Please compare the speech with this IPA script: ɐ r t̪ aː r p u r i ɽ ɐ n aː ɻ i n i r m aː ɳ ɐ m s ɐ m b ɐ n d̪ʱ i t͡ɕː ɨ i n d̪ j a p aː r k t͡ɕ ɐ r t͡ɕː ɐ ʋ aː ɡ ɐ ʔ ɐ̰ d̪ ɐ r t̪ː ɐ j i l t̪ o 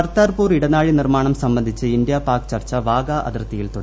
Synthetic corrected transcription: ɐ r t̪ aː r p uː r i ɽ ɐ n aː ɻ i n i r m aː ɳ ɐ m s ɐ m b ɐ n d̪ʱ i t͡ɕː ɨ i n d̪ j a p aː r k t͡ɕ ɐ r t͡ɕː ɐ ʋ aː ɡ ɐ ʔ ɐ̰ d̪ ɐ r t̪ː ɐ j i l t̪ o

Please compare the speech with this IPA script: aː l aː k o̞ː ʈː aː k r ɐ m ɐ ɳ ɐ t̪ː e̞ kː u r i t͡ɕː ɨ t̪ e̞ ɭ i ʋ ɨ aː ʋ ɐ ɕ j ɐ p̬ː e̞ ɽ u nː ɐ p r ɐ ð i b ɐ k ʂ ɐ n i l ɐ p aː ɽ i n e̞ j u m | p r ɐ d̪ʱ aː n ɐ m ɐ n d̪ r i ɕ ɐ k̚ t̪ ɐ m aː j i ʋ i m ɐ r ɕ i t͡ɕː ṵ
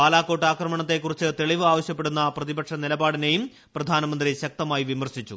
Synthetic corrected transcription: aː l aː k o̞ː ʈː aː k r ɐ m ɐ ɳ ɐ t̪ː e̞ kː u r i t͡ɕː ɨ t̪ e̞ ɭ i ʋ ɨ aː ʋ ɐ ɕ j ɐ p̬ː e̞ ɽ u nː ɐ p r ɐ ð i b ɐ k ʂ ɐ n i l ɐ b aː ɽ i n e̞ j u m | p r ɐ d̪ʱ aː n ɐ m ɐ n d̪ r i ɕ ɐ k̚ t̪ ɐ m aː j i ʋ i m ɐ r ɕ i t͡ɕː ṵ

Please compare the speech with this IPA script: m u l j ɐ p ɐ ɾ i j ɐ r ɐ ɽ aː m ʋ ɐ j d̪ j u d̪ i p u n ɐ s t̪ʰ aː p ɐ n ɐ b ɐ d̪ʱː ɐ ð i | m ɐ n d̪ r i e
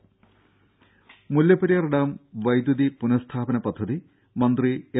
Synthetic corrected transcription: m u l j ɐ p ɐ ɾ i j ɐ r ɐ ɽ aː m ʋ ɐ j d̪ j u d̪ i p u n ɐ s t̪ʰ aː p ɐ n ɐ p ɐ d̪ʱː ɐ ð i | m ɐ n d̪ r i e

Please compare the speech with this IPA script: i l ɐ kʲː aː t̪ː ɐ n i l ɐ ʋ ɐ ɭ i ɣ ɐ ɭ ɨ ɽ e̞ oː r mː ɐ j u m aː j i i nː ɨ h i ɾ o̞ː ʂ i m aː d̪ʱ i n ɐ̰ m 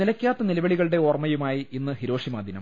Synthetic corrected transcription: i l ɐ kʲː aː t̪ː ɐ n i l ɐ ʋ ɐ ɭ i ɣ ɐ ɭ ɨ ɽ e̞ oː r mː ɐ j u m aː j i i nː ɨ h i ɾ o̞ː ʂ i m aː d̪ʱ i n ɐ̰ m

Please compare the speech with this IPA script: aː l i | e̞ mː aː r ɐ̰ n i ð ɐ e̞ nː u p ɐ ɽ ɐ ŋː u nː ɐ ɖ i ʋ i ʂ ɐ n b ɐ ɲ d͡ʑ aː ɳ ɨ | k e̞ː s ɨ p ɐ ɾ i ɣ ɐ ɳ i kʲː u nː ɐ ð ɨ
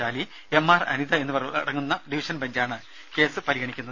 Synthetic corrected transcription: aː l i | e̞ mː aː r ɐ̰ n i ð ɐ e̞ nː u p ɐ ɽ ɐ ŋː u nː ɐ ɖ i ʋ i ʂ ɐ n b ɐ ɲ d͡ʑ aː ɳ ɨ | k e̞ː s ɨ p ɐ ɾ i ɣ ɐ ɳ i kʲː u nː ɐ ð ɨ

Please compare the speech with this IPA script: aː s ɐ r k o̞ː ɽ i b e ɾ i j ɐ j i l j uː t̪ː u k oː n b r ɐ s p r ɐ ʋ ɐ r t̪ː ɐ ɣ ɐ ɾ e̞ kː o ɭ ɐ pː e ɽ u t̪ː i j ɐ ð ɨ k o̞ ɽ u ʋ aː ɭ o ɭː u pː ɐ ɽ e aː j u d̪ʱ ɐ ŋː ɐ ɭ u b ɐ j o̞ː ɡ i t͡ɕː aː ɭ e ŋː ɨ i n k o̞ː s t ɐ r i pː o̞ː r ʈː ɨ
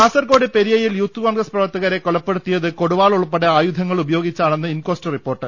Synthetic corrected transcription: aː s ɐ r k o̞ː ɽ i p e ɾ i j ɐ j i l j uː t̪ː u k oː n ɡ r ɐ s p r ɐ ʋ ɐ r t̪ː ɐ ɣ ɐ ɾ e̞ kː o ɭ ɐ pː e ɽ u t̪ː i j ɐ ð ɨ k o̞ ɽ u ʋ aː ɭ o ɭ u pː ɐ ɽ e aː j u d̪ʱ ɐ ŋː ɐ ɭ u b ɐ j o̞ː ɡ i t͡ɕː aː ɭ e nː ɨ i n k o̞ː s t ɐ r i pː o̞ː r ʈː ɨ

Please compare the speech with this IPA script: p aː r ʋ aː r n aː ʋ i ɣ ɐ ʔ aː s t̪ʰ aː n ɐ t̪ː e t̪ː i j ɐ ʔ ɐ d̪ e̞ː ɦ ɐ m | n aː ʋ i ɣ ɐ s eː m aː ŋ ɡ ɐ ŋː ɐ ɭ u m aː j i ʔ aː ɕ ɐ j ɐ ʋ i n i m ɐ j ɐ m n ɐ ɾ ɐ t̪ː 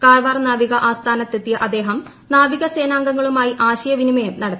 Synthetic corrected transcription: k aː r ʋ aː r n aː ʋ i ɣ ɐ ʔ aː s t̪ʰ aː n ɐ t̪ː e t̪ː i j ɐ ʔ ɐ d̪ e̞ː ɦ ɐ m | n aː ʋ i ɣ ɐ s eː n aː ŋ ɡ ɐ ŋː ɐ ɭ u m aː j i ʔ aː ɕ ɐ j ɐ ʋ i n i m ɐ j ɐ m n ɐ ɽ ɐ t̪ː

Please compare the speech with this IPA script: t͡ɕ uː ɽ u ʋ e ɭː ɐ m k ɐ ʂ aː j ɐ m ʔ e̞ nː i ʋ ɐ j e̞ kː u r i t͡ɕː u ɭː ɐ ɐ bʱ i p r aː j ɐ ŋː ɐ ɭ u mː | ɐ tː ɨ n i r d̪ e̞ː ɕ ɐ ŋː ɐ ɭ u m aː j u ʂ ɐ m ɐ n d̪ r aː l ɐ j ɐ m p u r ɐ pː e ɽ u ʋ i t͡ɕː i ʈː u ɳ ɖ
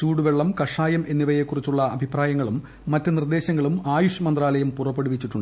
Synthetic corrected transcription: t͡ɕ uː ɽ u ʋ e ɭː ɐ m k ɐ ʂ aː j ɐ m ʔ e̞ nː i ʋ ɐ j e̞ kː u r i t͡ɕː u ɭː ɐ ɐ bʱ i p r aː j ɐ ŋː ɐ ɭ u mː | ɐ tː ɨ n i r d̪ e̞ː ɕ ɐ ŋː ɐ ɭ u m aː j u ʂ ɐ m ɐ n d̪ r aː l ɐ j ɐ m p u r ɐ pː e ɽ u ʋ i t͡ɕː i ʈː u ɳ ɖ

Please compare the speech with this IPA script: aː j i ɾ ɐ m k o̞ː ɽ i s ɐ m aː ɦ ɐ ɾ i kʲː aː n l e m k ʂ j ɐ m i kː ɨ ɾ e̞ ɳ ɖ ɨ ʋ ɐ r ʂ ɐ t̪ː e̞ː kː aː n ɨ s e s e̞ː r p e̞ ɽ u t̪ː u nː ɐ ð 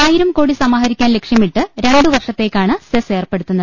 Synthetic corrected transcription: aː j i ɾ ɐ m k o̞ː ɽ i s ɐ m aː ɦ ɐ ɾ i kʲː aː n l e k ʂ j ɐ m i ʈː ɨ ɾ e̞ ɳ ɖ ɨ ʋ ɐ r ʂ ɐ t̪ː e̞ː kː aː ɳ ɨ s e s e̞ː r p e̞ ɽ u t̪ː u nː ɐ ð

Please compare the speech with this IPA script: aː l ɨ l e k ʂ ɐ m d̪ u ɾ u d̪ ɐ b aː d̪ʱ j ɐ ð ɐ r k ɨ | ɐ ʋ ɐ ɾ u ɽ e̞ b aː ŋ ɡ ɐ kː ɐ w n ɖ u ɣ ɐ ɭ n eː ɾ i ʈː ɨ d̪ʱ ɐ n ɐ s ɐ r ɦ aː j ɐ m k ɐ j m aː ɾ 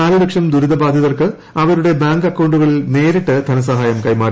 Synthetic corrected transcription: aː l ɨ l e k ʂ ɐ m d̪ u ɾ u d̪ ɐ b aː d̪ʱ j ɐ ð ɐ r k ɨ | ɐ ʋ ɐ ɾ u ɽ e̞ b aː ŋ ɡ ɐ kː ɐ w ɳ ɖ u ɣ ɐ ɭ n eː ɾ i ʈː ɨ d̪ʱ ɐ n ɐ s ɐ ɦ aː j ɐ m k ɐ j m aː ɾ

